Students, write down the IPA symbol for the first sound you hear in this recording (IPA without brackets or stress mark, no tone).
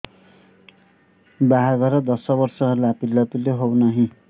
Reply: b